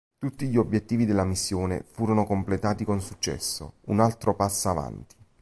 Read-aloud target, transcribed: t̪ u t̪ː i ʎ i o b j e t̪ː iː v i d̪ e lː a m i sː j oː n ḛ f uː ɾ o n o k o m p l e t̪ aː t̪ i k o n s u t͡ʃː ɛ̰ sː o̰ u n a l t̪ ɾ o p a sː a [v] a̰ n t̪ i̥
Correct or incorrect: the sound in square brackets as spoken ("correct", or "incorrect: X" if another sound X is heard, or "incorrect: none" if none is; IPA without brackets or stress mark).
correct